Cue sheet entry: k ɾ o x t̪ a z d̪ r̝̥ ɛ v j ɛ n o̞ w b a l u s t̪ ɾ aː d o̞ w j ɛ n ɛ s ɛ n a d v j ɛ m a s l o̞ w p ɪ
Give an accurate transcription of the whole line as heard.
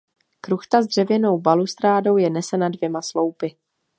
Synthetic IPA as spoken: k ɾ u x t̪ a z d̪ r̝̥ ɛ v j ɛ n o̞ w b a l u s t̪ ɾ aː d o̞ w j ɛ n ɛ s ɛ n a d v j ɛ m a s l o̞ w p ɪ